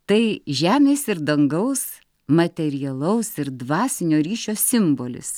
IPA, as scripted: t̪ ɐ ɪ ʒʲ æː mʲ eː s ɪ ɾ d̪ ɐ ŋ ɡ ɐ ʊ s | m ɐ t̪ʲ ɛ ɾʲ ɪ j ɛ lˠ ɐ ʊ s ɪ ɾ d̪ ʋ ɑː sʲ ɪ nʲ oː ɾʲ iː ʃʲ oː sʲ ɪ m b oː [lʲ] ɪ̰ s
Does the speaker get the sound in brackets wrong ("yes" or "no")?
no